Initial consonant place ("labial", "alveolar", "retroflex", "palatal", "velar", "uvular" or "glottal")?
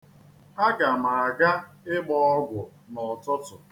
velar